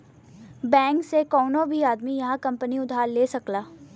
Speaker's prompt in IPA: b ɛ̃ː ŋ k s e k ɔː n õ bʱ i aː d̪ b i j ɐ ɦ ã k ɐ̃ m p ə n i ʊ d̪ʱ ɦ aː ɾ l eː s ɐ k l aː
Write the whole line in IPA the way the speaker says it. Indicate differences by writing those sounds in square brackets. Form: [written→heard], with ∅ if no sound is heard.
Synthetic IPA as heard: b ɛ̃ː ŋ k s e k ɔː n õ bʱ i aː d̪ [b→m] i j ɐ ɦ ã k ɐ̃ m p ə n i ʊ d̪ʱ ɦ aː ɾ l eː s ɐ k l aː